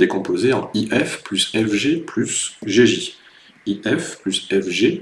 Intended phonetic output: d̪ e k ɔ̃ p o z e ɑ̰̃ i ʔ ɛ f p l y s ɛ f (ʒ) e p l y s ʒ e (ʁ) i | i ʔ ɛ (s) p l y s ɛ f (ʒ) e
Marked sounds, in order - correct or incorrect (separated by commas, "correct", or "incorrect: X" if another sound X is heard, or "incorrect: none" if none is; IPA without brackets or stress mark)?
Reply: correct, incorrect: ʒ, incorrect: f, correct